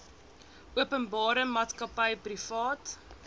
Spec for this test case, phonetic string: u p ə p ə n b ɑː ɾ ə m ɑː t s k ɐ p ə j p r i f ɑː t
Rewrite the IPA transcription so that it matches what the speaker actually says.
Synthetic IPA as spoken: u ə p ə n b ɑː ɾ ə m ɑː t s k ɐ p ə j p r i f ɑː t